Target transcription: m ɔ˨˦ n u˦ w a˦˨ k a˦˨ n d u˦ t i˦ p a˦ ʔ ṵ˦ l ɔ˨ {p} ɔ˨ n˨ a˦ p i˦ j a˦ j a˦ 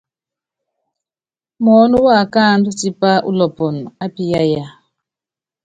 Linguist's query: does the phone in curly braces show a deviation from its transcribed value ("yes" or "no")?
no